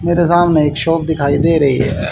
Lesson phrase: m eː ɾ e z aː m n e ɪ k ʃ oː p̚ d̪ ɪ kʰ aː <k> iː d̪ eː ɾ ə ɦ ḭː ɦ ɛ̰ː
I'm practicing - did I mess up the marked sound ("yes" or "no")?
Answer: yes